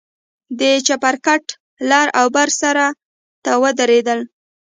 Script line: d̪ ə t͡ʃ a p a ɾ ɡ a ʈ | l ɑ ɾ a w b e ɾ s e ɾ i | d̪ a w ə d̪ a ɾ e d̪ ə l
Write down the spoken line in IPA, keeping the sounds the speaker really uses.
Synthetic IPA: d̪ ə t͡ʃ a p a ɾ k a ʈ | l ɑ ɾ a w b a ɾ s a ɾ a | t̪ a w ə d̪ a ɾ e d̪ ə l